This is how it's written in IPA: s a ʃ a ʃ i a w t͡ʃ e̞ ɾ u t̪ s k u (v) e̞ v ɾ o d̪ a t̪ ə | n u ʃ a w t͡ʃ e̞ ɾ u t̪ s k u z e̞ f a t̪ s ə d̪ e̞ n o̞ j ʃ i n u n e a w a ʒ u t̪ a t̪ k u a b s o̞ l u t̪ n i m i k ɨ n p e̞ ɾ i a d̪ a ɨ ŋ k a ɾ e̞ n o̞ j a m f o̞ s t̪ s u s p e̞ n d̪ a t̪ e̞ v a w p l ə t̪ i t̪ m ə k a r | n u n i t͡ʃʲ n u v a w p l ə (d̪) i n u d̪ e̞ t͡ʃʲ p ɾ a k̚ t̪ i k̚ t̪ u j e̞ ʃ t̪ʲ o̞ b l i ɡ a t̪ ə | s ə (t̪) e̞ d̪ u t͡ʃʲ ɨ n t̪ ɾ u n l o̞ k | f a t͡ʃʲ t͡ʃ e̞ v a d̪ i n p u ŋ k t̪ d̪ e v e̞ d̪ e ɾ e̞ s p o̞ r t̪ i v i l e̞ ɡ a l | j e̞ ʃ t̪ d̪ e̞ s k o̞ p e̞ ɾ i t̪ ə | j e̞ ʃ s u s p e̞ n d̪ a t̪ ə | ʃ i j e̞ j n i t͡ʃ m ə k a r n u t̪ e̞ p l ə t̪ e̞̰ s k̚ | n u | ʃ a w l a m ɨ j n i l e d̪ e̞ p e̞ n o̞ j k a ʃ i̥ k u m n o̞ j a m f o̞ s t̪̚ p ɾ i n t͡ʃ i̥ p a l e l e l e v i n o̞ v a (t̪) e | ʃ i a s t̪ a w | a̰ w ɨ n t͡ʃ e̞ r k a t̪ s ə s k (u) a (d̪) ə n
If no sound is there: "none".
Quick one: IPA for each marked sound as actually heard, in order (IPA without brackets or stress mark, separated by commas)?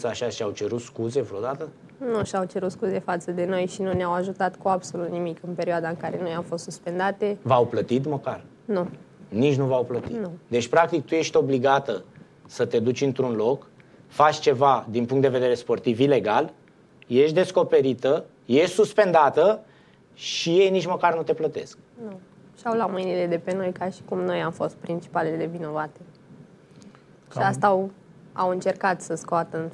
z, t̪, t̪, t̪, o, t̪